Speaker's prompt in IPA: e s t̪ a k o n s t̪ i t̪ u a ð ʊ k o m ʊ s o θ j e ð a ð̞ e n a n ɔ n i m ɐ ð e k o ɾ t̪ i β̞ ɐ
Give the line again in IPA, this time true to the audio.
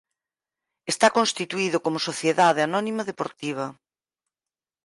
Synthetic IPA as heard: e s t̪ a k o n s t̪ i t̪ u i ð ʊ k o m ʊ s o θ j e ð a ð̞ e a n ɔ n i m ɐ ð e p o ɾ t̪ i β̞ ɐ